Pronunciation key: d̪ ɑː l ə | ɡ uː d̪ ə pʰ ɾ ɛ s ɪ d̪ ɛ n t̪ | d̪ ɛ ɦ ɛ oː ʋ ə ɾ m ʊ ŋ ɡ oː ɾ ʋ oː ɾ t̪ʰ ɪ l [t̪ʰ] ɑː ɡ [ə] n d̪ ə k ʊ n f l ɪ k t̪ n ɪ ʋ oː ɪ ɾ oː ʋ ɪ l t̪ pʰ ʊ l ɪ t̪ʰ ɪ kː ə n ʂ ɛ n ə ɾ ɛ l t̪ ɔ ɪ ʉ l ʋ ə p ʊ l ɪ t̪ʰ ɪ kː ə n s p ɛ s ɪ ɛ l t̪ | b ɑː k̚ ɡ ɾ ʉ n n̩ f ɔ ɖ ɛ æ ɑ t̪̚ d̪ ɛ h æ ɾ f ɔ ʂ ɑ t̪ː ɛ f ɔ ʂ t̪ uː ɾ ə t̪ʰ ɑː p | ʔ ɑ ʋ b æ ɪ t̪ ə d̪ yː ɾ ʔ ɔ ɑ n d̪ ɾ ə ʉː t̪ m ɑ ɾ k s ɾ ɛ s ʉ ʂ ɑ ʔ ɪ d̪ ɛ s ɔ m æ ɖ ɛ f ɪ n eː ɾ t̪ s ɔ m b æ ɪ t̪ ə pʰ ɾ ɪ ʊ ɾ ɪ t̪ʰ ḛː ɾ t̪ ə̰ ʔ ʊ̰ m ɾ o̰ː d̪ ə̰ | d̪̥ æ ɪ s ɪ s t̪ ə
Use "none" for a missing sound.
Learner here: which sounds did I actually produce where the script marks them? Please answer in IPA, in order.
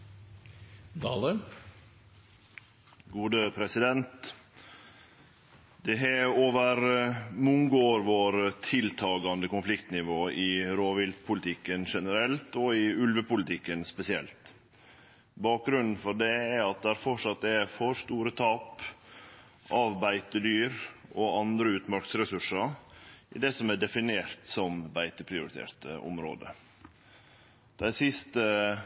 t̪ʰ, ɑ

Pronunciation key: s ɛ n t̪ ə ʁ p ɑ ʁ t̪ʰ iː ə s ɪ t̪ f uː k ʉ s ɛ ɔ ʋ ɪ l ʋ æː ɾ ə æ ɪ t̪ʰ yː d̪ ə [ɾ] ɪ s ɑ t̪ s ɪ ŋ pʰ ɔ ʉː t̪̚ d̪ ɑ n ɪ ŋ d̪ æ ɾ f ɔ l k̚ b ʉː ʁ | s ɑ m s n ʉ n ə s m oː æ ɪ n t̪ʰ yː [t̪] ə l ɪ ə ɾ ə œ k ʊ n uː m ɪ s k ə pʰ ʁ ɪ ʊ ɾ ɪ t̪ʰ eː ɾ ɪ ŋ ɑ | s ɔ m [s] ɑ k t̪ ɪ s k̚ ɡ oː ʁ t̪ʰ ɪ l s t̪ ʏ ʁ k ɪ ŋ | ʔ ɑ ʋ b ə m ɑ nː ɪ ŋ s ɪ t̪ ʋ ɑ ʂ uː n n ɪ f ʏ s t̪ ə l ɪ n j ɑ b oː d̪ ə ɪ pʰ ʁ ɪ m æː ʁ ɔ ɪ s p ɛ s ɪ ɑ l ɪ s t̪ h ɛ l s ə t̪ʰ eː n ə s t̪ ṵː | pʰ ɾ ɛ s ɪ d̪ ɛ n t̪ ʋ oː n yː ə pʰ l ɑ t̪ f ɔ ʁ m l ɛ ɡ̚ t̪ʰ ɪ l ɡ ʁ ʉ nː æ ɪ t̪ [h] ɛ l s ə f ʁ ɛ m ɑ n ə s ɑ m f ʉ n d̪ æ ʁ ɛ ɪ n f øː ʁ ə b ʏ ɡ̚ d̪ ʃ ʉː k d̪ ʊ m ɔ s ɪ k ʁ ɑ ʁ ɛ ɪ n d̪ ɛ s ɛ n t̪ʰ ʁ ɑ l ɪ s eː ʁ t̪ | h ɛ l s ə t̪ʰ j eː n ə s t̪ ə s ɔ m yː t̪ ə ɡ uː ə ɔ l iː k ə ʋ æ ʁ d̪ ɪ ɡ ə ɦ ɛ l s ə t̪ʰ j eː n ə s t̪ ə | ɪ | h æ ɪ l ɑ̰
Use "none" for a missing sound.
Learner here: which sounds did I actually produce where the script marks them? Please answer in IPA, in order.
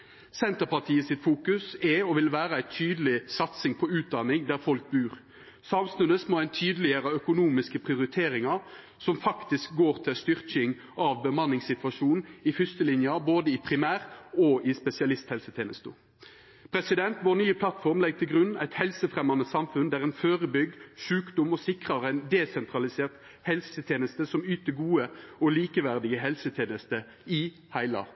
l, d̪, f, h

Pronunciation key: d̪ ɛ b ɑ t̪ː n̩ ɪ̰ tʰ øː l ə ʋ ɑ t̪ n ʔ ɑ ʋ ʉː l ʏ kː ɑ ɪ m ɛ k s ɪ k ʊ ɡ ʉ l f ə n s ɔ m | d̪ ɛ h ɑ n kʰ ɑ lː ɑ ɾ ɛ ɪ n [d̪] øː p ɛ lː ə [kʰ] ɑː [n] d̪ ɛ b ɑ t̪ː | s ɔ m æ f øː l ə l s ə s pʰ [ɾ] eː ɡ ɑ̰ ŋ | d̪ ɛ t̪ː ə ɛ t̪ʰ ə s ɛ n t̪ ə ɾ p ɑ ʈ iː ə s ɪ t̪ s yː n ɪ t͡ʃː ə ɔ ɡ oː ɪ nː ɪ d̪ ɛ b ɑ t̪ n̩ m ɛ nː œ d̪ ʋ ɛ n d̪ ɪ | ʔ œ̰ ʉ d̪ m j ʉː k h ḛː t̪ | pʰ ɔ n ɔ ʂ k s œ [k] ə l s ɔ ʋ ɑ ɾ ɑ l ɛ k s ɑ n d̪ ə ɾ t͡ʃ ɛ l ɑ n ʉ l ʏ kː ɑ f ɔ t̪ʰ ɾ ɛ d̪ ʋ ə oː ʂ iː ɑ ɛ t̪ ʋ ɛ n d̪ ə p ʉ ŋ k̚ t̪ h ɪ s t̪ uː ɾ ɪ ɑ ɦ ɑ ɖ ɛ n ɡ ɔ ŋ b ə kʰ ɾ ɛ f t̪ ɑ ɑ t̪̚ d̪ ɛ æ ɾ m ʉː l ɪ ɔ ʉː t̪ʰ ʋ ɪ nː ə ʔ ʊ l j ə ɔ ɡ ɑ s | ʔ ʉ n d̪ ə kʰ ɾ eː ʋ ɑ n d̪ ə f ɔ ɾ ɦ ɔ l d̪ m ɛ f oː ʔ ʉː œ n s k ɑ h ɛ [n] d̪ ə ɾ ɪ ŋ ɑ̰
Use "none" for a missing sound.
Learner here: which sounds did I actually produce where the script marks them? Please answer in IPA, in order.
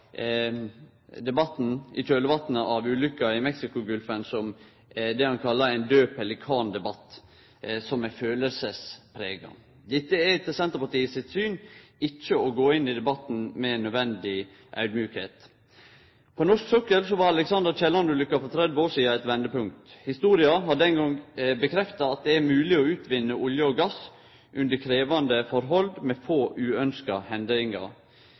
d̪, kʰ, n, ɾ, k, n

